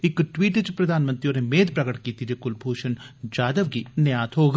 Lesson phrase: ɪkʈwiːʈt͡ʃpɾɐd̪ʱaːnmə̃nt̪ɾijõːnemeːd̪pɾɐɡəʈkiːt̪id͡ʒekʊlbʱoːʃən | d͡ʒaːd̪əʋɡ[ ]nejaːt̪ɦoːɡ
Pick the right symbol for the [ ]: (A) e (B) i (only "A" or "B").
B